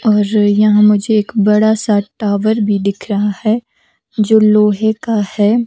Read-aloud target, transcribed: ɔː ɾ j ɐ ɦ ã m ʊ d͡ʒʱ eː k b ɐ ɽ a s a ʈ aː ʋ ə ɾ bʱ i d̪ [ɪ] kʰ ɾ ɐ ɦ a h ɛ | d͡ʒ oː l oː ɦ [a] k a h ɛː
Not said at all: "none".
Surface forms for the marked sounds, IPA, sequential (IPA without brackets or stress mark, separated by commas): ɪ, e